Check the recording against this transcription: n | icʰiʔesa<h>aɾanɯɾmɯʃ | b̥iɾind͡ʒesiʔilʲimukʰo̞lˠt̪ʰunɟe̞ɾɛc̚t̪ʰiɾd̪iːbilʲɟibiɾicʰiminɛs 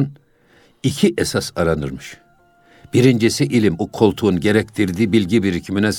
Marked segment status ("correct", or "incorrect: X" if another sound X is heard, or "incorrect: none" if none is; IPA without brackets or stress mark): incorrect: s